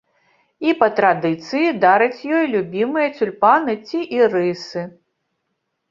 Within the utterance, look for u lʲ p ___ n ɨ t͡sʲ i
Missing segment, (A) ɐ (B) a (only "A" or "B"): B